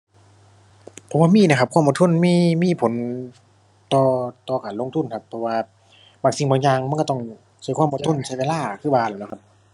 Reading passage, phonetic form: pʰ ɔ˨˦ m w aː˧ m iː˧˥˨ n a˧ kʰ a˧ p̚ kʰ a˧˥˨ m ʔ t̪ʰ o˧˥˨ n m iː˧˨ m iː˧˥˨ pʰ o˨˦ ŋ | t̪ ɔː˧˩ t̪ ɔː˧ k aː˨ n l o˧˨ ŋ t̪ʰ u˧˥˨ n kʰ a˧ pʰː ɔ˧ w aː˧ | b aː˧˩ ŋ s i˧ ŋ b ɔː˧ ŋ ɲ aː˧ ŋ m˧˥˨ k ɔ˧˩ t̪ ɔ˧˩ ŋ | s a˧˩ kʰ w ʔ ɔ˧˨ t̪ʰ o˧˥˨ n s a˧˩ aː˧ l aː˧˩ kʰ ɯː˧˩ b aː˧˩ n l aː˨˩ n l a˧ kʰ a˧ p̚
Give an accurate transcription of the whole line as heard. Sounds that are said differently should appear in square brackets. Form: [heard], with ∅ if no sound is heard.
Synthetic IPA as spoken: pʰ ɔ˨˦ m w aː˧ m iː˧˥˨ n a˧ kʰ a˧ p̚ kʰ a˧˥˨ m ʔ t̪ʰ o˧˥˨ n m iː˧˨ m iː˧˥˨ pʰ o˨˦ [n] | t̪ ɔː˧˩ t̪ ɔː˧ k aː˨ n l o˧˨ ŋ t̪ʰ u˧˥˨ n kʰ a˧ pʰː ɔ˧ w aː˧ | b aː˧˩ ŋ s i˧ ŋ b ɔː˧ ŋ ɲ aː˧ ŋ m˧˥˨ k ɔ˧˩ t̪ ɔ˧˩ ŋ | s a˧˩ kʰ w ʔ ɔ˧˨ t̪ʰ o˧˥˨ n s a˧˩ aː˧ l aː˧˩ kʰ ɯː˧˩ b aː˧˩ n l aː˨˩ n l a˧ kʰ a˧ p̚